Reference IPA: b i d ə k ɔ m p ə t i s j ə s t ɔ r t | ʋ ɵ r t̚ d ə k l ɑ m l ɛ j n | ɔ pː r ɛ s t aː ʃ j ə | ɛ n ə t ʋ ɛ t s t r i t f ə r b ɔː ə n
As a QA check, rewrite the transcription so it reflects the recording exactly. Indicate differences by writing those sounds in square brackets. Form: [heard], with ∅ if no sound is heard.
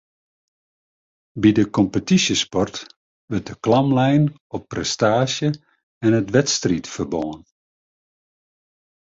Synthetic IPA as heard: b i d ə k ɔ m p ə t i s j ə s [p] ɔ r t | ʋ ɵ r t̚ d ə k l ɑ m l ɛ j n | ɔ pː r ɛ s t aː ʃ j ə | ɛ n ə t ʋ ɛ t s t r i t f ə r b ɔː ə n